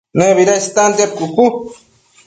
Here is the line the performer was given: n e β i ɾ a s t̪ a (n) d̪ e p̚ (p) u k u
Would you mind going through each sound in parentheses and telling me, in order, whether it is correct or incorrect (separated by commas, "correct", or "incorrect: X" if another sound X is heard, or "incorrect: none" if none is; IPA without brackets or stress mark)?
correct, incorrect: k